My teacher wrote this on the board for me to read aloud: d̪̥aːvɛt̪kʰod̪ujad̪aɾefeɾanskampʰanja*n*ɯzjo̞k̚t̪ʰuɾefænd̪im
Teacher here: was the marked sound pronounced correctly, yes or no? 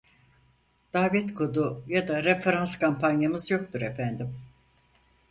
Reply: no